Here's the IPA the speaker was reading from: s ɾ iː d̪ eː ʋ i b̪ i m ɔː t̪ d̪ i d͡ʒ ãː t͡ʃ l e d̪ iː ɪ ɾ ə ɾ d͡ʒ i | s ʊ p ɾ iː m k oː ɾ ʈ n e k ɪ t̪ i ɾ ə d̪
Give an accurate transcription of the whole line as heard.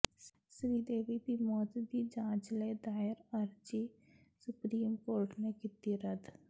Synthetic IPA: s ɾ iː d̪ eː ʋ i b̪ i m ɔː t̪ d̪ i d͡ʒ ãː t͡ʃ l e d̪ aː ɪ ɾ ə ɾ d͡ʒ i | s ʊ p ɾ iː m k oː ɾ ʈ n e k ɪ t̪ i ɾ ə d̪